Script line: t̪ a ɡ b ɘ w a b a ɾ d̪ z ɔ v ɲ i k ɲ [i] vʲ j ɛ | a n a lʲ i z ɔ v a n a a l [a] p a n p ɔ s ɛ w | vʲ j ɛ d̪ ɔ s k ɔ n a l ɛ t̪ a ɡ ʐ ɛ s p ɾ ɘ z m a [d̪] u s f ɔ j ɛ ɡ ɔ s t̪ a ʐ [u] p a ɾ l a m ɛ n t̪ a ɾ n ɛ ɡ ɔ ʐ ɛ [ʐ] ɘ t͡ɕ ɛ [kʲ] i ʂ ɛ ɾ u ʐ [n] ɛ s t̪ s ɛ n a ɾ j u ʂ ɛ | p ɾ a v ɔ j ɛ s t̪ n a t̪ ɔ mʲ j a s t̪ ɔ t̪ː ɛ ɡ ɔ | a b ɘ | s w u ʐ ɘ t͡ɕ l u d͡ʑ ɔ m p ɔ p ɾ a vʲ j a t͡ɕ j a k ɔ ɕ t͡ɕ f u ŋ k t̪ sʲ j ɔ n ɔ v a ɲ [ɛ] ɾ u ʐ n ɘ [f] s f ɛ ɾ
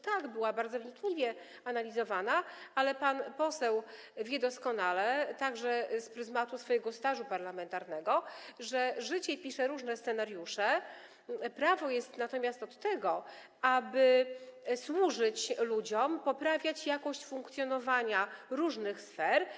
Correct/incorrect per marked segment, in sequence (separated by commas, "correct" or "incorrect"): correct, incorrect, incorrect, correct, correct, incorrect, correct, incorrect, incorrect